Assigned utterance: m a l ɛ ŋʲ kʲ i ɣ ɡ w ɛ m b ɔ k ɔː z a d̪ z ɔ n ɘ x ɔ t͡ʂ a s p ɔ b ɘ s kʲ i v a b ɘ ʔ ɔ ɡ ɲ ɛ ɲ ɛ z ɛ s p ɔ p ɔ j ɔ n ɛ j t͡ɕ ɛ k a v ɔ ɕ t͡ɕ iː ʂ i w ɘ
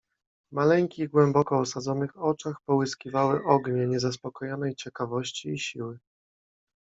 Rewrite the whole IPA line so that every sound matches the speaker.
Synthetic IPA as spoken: m a l ɛ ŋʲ kʲ i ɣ ɡ w ɛ m b ɔ k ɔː s a d̪ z ɔ n ɘ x ɔ t͡ʂ a x p ɔ w ɘ s kʲ i v a w ɘ ʔ ɔ ɡ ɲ ɛ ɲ ɛ z a s p ɔ k ɔ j ɔ n ɛ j t͡ɕ ɛ k a v ɔ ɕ t͡ɕ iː ɕ i w ɘ